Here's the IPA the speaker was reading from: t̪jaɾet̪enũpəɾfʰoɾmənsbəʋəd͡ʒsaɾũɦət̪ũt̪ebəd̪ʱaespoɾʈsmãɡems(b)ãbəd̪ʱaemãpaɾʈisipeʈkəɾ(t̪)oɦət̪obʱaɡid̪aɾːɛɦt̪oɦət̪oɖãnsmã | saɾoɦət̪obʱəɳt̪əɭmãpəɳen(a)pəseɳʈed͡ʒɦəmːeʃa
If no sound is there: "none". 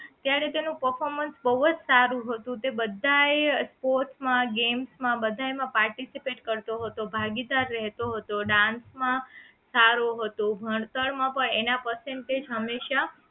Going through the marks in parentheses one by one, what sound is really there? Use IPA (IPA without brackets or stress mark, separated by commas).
m, t̪, a